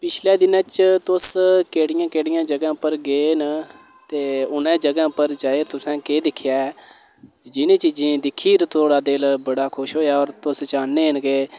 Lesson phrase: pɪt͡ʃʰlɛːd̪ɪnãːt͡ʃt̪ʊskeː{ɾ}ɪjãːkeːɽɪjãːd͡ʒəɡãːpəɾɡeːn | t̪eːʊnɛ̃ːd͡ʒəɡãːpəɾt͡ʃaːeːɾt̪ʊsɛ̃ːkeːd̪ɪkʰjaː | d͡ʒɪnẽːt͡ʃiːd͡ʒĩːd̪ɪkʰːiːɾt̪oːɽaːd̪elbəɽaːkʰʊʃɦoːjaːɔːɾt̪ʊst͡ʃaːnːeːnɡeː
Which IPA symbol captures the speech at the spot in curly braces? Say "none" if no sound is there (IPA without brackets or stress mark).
ɽ